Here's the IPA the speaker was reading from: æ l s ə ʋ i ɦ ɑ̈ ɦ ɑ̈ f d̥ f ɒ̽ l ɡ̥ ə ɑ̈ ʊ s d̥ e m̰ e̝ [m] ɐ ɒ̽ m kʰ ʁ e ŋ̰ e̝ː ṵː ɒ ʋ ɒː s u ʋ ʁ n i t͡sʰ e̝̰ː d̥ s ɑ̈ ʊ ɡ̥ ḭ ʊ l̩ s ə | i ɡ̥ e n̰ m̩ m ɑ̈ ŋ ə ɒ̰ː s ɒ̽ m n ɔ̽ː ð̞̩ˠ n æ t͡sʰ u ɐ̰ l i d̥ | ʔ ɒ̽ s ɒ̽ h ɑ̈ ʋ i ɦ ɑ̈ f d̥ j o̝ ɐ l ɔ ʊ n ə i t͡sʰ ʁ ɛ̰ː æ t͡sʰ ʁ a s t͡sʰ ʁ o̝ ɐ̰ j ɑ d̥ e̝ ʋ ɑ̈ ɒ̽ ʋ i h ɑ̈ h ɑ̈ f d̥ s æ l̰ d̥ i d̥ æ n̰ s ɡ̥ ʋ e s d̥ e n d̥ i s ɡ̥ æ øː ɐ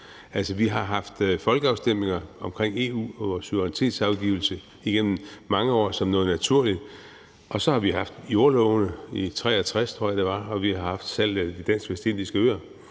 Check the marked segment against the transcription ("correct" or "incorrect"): incorrect